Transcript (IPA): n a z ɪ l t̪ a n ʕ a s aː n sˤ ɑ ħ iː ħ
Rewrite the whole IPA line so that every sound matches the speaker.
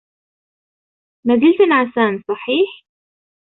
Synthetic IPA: m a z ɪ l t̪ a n ʕ a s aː n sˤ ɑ ħ iː ħ